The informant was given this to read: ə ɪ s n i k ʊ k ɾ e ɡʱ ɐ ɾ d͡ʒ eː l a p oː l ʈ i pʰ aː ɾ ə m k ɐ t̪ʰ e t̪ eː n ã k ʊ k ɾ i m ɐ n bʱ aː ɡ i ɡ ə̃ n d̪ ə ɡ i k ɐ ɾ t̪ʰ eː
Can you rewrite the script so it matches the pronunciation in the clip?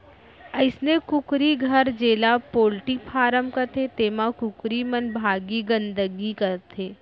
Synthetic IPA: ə ɪ s n e k ʊ k ɾ i ɡʱ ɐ ɾ d͡ʒ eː l a p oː l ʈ i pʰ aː ɾ ə m k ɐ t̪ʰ e t̪ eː m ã k ʊ k ɾ i m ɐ n bʱ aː ɡ i ɡ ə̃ n d̪ ə ɡ i k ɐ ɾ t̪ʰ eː